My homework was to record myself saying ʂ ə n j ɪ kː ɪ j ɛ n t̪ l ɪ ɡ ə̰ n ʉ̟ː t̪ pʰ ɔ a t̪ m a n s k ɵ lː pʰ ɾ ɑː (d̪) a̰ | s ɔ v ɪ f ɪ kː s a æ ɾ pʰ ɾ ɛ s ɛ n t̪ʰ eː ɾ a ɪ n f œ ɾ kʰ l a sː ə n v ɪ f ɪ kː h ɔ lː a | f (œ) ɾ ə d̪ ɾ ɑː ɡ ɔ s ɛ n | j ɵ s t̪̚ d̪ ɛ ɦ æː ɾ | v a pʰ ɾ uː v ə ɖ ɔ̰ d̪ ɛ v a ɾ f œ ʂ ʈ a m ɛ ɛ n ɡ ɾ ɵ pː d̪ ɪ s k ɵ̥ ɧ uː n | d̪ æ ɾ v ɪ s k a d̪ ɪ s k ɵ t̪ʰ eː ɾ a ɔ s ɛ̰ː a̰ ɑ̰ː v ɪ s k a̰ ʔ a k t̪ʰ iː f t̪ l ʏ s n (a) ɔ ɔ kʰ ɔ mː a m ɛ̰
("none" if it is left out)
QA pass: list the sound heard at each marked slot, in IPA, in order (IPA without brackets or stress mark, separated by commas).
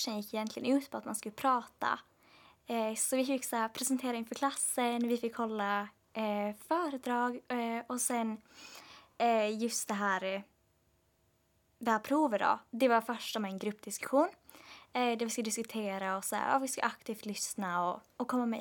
t̪, œː, a